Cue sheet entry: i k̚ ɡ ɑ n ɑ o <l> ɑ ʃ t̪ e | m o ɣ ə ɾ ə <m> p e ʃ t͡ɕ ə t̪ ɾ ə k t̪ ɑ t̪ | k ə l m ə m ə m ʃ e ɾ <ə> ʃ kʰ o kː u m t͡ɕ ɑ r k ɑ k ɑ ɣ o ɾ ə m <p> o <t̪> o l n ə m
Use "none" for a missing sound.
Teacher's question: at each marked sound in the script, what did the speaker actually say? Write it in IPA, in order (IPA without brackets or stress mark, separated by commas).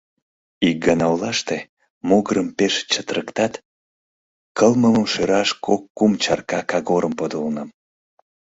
l, m, ɑ, p, d̪